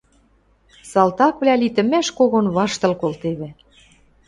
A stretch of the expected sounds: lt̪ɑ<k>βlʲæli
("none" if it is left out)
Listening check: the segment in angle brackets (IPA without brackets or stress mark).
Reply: k